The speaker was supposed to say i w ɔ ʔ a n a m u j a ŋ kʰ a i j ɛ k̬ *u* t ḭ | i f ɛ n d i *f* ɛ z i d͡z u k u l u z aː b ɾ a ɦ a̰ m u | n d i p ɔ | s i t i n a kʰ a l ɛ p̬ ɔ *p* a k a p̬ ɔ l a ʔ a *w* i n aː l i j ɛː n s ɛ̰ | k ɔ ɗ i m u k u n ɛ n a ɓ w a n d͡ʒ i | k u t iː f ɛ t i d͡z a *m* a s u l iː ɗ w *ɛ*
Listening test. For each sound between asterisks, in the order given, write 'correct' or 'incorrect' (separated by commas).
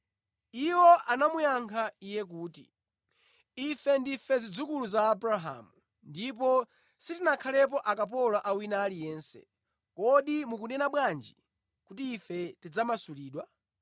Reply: incorrect, correct, incorrect, correct, correct, incorrect